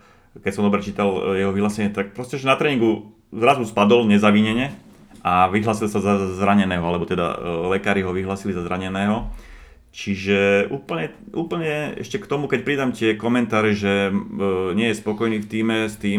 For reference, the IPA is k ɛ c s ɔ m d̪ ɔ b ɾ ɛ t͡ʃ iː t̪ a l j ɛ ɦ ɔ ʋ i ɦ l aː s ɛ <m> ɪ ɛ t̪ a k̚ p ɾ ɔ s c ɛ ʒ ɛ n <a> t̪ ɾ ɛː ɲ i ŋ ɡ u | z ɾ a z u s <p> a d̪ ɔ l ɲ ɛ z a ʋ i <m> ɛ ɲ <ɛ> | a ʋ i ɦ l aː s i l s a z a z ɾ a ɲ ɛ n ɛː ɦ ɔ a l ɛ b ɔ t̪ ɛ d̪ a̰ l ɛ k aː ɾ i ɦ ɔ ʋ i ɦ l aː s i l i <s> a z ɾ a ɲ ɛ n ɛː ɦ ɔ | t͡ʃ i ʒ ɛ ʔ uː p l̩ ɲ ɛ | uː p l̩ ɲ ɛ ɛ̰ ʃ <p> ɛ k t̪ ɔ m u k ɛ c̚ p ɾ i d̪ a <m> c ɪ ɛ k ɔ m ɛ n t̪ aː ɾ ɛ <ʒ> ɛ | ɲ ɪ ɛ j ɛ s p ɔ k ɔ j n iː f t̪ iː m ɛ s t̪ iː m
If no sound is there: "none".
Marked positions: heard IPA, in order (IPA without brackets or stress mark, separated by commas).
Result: ɲ, a, p, ɲ, ɛ, z, c, m, ʒ